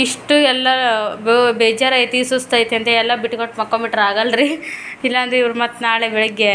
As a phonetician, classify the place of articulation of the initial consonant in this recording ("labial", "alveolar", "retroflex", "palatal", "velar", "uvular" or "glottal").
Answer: retroflex